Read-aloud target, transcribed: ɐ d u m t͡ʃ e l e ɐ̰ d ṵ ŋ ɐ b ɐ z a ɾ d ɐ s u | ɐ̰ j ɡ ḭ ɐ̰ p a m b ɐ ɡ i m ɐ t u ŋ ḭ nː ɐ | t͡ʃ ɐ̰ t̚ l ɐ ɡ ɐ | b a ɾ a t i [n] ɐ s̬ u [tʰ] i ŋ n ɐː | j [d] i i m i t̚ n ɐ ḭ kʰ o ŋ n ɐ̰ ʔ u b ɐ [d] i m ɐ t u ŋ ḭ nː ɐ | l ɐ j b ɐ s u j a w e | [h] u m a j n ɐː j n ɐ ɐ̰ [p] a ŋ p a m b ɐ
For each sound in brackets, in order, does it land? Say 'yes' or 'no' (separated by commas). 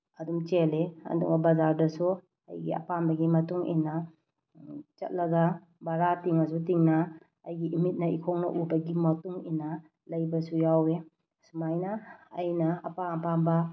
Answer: no, no, no, no, no, yes